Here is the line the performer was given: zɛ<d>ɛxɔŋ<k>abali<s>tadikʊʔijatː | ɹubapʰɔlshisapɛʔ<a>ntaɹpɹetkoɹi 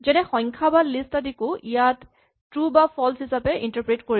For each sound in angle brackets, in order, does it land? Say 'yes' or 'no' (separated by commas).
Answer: no, no, yes, no